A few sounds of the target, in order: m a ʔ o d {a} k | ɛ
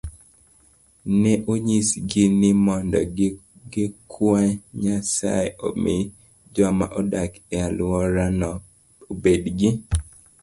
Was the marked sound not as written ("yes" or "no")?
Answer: no